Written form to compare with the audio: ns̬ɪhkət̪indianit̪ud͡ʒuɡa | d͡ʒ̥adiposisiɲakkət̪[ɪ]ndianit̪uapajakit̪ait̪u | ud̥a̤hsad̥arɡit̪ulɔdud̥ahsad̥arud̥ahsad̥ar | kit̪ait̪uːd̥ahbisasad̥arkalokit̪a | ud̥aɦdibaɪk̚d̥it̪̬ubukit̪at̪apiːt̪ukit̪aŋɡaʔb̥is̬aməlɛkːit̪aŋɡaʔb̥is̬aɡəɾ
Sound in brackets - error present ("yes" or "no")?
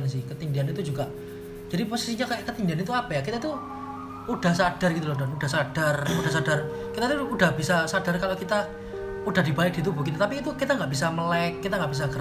yes